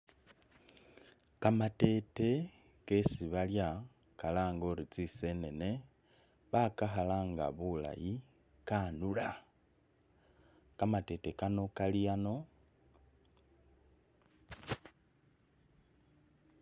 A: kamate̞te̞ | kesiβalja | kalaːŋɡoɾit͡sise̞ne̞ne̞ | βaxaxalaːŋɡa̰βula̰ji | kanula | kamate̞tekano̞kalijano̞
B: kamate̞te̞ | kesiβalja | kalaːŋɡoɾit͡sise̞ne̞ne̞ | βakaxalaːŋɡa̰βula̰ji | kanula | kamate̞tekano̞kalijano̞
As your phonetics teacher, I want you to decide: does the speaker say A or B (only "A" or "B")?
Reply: B